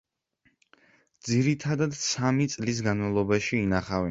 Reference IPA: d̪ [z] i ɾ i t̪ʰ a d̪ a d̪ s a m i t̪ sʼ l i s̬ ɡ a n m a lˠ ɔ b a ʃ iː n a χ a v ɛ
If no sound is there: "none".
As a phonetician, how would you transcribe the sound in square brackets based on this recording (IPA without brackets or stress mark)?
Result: z